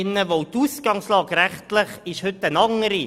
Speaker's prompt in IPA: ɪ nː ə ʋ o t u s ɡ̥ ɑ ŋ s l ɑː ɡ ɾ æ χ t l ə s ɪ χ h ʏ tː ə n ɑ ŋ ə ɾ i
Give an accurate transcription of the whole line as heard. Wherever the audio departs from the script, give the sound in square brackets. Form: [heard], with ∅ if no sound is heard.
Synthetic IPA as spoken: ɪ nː ə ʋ o t u s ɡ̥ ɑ ŋ s l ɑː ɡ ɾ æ χ t l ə [χ] ɪ [ʃ] h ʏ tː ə n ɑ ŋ ə ɾ i